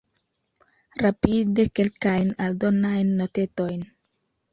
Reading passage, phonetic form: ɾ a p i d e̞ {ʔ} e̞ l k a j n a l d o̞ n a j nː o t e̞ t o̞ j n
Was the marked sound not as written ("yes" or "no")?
yes